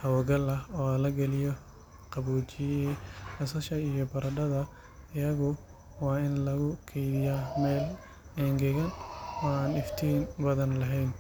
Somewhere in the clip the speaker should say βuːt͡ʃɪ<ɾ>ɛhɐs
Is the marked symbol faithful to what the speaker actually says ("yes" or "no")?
no